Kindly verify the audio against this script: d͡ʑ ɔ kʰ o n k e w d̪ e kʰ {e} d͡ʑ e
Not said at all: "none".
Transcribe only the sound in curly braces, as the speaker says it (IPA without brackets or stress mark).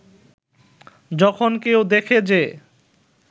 e